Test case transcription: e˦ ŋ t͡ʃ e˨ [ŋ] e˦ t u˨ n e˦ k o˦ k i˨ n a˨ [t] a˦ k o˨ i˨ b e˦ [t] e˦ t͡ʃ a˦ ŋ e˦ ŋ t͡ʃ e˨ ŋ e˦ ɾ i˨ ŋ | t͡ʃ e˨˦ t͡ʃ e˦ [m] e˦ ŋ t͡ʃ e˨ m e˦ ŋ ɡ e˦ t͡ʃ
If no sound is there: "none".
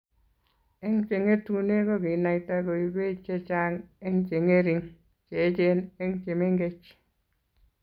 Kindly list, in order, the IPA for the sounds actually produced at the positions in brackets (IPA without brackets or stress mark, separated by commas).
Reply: ŋ, t, t͡ʃ, n